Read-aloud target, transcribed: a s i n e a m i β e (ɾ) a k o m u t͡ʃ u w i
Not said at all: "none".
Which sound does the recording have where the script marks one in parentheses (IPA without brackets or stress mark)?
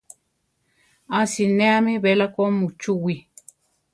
l